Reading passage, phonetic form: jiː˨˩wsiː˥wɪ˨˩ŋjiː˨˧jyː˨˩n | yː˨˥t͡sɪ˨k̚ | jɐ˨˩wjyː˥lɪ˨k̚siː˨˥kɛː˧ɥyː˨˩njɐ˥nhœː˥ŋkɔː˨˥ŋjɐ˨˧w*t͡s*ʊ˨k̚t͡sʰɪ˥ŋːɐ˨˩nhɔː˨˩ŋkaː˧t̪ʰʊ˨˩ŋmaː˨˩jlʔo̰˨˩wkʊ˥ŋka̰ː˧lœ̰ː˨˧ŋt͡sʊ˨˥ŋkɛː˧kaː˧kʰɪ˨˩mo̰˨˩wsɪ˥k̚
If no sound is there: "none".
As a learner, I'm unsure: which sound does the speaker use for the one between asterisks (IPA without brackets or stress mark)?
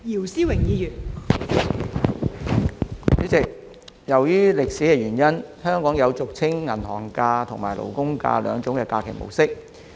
t͡s